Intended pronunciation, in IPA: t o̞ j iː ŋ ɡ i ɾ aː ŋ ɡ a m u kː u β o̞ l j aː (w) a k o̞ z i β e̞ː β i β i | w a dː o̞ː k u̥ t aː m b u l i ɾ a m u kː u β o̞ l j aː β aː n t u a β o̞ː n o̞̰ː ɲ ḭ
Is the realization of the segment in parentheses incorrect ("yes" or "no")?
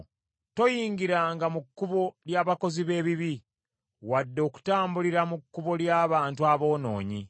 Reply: yes